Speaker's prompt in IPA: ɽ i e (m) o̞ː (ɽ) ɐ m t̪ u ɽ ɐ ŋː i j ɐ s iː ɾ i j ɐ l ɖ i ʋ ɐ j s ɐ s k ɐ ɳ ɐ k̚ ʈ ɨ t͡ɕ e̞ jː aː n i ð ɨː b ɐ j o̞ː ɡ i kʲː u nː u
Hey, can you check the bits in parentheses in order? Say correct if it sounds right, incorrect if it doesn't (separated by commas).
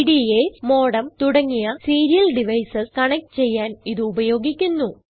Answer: correct, correct